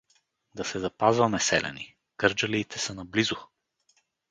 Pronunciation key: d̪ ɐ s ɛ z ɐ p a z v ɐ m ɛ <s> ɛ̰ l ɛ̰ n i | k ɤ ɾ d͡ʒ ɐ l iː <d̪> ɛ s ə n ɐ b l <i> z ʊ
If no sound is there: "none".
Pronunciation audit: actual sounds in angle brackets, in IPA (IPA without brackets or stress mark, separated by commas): s, t̪, i